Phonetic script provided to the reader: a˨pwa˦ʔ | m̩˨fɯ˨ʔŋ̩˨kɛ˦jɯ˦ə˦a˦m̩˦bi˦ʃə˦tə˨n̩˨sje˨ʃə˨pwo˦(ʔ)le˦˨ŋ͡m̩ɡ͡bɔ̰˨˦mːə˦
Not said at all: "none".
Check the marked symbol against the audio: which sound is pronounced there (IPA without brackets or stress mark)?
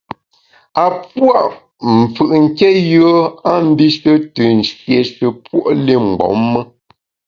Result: ʔ